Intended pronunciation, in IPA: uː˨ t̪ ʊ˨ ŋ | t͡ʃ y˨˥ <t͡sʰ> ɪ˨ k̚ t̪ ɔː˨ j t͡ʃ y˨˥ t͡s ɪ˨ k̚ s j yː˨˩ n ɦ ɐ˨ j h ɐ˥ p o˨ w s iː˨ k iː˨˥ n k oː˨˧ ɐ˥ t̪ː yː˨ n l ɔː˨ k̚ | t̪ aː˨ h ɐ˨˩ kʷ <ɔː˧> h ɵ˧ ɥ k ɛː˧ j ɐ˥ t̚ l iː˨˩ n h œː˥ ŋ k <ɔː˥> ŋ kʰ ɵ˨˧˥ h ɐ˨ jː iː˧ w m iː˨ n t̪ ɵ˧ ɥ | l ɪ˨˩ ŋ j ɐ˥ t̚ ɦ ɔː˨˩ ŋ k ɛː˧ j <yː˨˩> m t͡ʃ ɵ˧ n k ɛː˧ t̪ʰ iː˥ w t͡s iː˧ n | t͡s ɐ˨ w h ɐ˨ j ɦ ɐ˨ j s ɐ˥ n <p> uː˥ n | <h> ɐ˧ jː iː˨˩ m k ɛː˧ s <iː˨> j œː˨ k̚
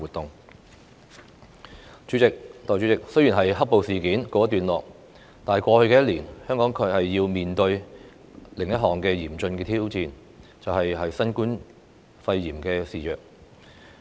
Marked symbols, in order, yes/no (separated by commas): no, yes, no, no, no, no, yes